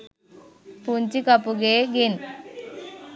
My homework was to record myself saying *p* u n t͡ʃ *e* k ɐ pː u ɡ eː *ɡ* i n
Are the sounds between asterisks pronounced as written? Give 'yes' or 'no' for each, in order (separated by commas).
yes, no, yes